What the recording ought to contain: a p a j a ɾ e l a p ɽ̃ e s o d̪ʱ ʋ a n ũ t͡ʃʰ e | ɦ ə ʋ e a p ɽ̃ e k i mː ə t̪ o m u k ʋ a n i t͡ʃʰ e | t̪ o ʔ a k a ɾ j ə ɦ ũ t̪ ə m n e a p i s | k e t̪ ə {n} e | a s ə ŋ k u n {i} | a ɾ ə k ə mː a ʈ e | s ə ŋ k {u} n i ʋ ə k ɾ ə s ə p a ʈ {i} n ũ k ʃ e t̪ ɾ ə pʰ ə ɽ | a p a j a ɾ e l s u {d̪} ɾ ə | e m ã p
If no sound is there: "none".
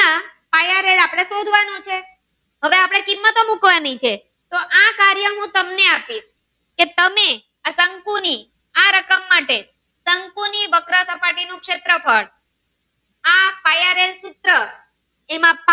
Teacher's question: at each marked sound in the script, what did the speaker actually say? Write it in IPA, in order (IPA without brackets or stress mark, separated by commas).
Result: m, i, u, i, t̪